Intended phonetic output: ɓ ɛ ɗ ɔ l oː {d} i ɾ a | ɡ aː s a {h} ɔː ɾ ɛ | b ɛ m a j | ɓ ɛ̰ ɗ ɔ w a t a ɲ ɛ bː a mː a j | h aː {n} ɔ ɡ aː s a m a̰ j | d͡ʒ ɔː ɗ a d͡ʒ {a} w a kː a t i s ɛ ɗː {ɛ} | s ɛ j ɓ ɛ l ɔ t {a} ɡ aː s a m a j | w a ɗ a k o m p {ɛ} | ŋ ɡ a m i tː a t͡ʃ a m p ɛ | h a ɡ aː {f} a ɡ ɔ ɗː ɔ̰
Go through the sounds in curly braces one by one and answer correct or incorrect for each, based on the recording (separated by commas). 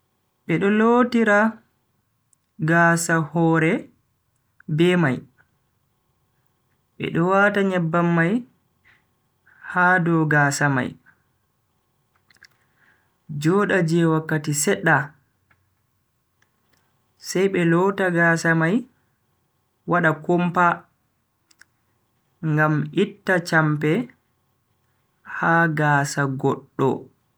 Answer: incorrect, correct, incorrect, incorrect, incorrect, correct, incorrect, incorrect